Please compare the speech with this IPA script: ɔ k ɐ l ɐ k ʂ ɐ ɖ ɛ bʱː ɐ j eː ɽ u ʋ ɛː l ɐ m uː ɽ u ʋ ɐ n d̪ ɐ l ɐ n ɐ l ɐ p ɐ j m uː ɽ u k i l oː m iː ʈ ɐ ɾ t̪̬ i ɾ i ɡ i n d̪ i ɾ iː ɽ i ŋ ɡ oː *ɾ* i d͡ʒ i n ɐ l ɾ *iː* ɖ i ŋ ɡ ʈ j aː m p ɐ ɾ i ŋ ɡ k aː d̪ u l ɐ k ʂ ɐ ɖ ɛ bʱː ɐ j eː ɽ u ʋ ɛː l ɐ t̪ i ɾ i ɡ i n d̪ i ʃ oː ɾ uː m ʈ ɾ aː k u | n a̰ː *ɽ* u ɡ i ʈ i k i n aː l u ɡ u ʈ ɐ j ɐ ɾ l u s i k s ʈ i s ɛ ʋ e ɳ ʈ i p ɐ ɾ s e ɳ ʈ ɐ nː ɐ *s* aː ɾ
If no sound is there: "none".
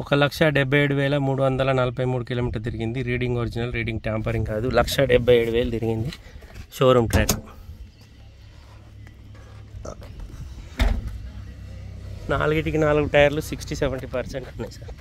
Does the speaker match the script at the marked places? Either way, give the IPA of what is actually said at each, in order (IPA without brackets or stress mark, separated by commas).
ɾ, iː, l, s